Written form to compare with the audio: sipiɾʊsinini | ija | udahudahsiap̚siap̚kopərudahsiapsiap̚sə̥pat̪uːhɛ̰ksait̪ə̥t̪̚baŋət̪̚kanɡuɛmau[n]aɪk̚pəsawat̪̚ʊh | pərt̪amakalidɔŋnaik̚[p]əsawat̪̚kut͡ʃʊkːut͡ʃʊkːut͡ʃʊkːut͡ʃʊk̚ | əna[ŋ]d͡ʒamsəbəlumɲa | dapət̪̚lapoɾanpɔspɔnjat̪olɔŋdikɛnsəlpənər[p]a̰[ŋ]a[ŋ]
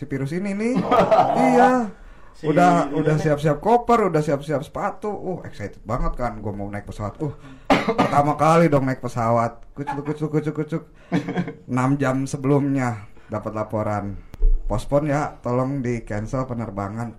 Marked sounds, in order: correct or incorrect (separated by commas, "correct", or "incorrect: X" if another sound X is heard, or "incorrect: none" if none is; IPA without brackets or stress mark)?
correct, correct, incorrect: m, incorrect: b, correct, incorrect: n